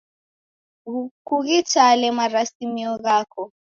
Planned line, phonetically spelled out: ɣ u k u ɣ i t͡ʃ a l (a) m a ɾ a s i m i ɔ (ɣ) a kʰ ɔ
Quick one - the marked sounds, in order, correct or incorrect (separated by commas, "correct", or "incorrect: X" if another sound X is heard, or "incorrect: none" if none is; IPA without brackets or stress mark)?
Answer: incorrect: ɛ, correct